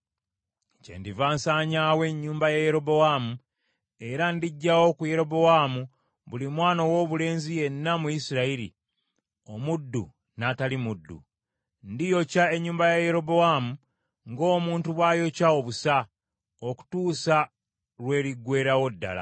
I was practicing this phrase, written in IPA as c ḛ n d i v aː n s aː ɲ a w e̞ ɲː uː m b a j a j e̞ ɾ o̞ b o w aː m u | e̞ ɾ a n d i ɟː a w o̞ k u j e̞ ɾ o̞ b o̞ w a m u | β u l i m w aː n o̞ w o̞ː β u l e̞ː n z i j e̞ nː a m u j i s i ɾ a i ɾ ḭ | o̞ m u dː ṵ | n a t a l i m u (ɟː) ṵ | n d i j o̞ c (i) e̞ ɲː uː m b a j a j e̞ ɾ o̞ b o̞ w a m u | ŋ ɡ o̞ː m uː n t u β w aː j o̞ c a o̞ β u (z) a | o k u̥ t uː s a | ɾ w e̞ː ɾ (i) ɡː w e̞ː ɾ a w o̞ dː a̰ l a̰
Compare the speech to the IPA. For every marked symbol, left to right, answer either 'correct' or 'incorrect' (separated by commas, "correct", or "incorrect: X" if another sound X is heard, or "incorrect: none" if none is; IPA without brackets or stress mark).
incorrect: dː, incorrect: a, incorrect: s, correct